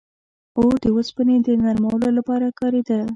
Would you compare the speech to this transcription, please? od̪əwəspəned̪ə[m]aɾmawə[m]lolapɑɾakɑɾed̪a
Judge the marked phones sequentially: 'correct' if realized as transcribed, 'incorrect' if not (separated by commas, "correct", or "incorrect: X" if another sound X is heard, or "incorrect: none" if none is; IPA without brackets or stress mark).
incorrect: n, incorrect: none